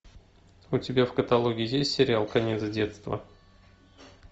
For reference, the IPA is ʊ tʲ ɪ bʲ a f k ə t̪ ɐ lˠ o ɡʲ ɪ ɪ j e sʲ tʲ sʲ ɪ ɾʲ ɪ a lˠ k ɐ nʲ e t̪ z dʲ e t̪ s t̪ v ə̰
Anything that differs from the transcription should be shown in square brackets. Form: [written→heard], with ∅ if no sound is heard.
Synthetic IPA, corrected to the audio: ʊ tʲ ɪ bʲ a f k ə t̪ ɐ lˠ o ɡʲ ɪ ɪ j e sʲ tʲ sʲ ɪ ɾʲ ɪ a lˠ k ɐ nʲ e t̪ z dʲ e t̪ s t̪ v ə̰